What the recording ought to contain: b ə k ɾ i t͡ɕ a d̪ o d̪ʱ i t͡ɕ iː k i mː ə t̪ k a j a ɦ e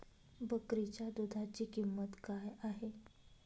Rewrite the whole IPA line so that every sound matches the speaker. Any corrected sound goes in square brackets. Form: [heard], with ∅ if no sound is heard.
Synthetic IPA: b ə k ɾ i t͡ɕ a d̪ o d̪ʱ [a] t͡ɕ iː k i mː ə t̪ k a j a ɦ e